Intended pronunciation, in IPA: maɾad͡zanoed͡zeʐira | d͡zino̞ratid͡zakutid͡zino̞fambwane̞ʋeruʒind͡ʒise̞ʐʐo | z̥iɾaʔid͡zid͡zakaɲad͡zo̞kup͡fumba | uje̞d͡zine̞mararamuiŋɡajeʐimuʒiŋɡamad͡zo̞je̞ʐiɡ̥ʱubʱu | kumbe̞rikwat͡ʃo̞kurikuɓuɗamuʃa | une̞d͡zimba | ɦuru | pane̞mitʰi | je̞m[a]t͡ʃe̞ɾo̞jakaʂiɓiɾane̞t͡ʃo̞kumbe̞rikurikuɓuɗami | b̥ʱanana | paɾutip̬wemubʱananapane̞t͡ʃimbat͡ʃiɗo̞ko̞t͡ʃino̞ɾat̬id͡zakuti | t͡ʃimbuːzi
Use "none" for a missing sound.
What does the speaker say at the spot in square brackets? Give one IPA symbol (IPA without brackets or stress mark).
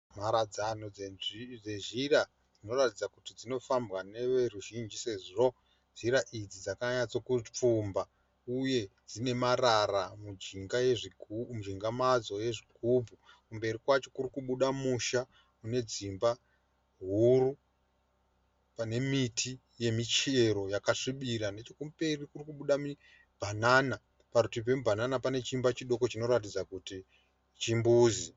i